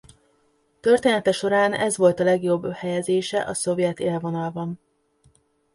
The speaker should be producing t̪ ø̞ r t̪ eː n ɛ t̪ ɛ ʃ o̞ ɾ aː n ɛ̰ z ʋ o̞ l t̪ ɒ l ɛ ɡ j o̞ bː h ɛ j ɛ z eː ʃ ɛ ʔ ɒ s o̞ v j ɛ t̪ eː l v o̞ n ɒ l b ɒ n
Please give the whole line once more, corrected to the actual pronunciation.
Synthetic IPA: t̪ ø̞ r t̪ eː n ɛ t̪ ɛ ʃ o̞ ɾ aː n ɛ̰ z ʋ o̞ l t̪ ɒ l ɛ ɡ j o̞ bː h ɛ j ɛ z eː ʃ ɛ ʔ ɒ s o̞ v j ɛ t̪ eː l v o̞ n ɒ l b ɒ n